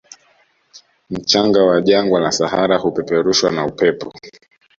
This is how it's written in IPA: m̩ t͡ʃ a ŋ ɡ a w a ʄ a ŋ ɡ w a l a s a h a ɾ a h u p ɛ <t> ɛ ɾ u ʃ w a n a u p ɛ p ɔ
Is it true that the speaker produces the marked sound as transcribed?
no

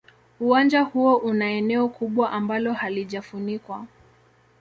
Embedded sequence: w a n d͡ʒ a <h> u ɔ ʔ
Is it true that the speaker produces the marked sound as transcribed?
yes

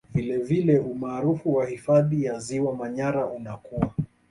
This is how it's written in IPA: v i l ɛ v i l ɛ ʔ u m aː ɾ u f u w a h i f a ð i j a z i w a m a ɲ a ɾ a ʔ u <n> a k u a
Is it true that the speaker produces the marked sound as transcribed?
yes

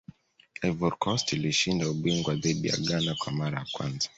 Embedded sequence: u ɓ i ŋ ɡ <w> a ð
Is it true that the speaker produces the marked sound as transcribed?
yes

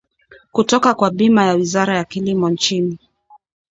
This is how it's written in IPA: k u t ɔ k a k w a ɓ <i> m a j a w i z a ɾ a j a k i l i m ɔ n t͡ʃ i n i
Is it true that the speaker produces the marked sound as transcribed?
yes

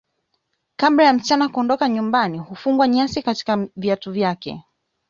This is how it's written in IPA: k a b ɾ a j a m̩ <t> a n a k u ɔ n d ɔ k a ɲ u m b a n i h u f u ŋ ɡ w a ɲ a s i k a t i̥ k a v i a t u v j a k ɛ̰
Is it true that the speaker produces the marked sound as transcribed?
no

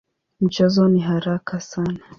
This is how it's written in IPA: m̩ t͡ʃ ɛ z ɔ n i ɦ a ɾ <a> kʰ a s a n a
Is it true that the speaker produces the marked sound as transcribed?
yes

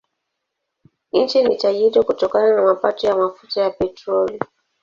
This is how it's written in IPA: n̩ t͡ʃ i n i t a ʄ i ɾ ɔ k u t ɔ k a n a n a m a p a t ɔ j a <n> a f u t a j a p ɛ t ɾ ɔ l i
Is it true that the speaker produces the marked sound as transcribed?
no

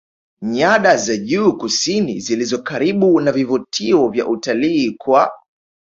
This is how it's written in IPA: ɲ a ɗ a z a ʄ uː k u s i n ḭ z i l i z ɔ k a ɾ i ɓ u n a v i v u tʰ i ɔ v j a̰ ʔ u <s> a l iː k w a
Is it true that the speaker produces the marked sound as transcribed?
no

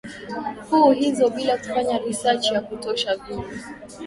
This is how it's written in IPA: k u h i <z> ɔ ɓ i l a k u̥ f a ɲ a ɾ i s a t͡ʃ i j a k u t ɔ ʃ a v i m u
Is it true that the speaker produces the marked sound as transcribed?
yes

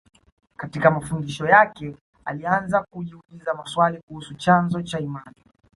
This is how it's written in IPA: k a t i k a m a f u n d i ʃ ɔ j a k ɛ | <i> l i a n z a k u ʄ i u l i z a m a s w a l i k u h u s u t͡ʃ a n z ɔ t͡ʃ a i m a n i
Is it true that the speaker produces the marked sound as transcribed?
no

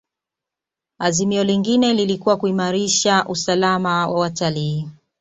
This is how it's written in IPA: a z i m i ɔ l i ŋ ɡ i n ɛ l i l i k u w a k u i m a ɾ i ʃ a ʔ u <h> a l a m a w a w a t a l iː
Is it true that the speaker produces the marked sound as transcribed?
no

